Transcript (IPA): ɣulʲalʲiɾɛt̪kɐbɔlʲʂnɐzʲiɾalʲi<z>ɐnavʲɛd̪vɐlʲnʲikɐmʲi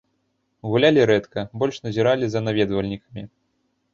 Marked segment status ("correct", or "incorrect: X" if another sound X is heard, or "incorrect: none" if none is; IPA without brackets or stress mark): correct